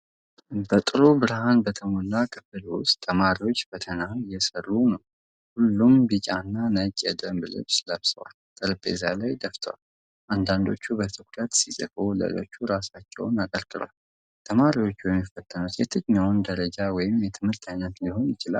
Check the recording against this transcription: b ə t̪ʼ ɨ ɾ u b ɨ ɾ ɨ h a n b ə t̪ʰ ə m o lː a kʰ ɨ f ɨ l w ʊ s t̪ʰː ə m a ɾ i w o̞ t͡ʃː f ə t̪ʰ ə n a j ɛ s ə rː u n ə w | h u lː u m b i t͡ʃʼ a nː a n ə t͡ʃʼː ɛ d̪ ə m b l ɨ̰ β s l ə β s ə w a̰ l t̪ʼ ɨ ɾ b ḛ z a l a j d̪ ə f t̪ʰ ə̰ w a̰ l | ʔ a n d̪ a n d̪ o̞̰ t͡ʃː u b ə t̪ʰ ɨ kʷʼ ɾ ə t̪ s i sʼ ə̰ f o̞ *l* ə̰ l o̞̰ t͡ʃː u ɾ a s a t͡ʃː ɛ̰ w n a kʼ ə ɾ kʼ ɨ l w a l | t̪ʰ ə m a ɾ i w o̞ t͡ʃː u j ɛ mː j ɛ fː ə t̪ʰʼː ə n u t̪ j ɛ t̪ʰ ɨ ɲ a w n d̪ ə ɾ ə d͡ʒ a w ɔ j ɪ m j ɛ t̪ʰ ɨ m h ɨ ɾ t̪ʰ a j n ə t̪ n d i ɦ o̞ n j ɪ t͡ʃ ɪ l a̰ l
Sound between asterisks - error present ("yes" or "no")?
no